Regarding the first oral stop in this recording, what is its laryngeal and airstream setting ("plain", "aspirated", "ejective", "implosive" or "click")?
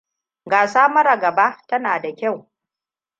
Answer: plain